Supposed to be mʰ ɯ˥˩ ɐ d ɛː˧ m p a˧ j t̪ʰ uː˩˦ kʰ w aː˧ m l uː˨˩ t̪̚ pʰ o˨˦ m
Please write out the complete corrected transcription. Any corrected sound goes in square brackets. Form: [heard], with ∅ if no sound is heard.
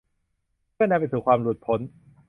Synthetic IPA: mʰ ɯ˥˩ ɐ [n] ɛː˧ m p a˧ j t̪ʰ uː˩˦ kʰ w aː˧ m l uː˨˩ t̪̚ pʰ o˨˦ [n]